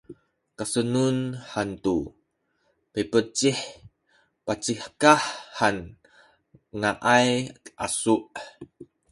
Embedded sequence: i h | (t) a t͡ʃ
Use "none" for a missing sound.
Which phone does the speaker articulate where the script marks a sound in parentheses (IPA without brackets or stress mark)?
p